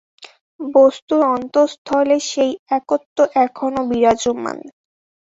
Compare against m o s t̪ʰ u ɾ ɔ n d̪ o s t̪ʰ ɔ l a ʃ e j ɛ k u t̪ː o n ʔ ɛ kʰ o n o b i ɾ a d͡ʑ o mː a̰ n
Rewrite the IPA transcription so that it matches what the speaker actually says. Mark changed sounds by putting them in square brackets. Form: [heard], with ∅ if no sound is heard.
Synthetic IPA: [b] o s [t̪] u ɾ ɔ n [t̪] o s t̪ʰ ɔ l [e] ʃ e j ɛ k [o] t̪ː o [∅] ʔ ɛ kʰ o n o b i ɾ a d͡ʑ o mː a̰ n